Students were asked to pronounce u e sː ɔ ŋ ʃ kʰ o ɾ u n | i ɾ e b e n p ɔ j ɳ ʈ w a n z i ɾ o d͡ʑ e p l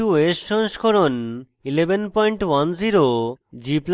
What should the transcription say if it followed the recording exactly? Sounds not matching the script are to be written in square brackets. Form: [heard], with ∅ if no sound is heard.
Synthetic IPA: u e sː ɔ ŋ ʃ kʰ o ɾ [o] n | i [l] e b e n p ɔ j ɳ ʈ w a n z i ɾ o d͡ʑ [i] p l